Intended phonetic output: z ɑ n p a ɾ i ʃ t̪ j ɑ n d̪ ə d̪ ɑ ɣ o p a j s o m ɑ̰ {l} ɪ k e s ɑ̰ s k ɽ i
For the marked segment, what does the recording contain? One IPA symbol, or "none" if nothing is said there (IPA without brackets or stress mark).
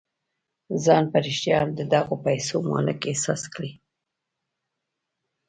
l